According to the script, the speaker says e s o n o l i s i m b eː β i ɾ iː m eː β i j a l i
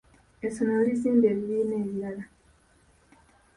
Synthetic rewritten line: e s o n o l i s iː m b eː β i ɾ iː n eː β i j a l a